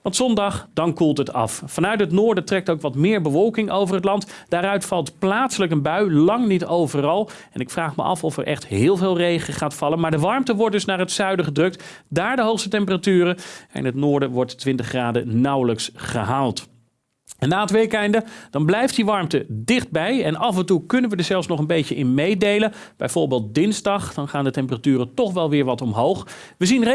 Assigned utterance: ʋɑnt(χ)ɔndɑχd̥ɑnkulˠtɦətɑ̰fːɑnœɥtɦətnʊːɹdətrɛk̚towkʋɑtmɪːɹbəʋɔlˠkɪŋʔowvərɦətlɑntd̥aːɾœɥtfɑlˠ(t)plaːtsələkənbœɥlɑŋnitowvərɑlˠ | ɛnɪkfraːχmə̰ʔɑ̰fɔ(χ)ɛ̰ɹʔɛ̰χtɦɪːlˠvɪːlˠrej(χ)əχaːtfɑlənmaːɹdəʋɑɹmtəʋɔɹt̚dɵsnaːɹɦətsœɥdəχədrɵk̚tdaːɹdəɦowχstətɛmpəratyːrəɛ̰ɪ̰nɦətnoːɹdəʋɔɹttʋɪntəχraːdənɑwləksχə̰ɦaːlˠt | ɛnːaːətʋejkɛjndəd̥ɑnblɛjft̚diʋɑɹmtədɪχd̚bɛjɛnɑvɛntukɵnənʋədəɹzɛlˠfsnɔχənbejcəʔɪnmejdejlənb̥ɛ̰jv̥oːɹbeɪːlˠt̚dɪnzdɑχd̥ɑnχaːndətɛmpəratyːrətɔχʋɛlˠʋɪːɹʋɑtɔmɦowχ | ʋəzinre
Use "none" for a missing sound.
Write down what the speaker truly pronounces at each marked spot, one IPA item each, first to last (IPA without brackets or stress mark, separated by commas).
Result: s, t, f, χ